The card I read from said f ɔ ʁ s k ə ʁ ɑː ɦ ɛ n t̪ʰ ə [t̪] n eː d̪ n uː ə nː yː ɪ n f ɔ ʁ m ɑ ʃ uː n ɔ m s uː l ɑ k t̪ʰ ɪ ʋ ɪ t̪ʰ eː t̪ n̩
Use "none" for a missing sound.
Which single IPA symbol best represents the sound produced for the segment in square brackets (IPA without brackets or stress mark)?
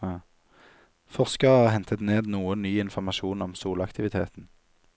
t̪